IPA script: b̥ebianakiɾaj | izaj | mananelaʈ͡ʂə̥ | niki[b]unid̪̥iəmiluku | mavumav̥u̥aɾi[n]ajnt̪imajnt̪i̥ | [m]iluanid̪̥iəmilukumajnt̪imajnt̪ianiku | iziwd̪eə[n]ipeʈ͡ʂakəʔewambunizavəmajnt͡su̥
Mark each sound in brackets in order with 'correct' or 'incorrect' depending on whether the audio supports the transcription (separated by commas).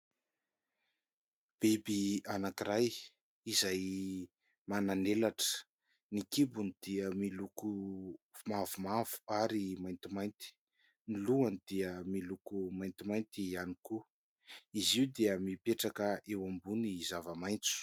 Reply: correct, incorrect, incorrect, incorrect